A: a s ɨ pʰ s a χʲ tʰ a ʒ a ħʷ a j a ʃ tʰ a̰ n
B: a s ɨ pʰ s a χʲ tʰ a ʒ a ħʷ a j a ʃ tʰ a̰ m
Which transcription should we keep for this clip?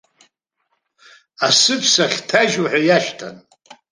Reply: A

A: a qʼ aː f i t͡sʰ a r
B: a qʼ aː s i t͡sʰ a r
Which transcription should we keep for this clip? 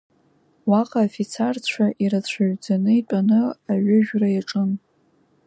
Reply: A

